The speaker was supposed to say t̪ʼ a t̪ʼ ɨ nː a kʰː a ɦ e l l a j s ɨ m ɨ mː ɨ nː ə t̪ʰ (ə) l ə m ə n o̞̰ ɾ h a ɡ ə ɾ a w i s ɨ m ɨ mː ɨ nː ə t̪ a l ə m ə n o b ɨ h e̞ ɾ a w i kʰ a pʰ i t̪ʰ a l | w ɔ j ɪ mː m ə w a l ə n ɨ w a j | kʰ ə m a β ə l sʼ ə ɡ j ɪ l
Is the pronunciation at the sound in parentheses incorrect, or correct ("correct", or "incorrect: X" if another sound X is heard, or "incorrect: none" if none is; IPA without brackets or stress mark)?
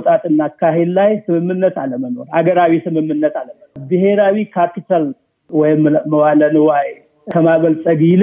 incorrect: a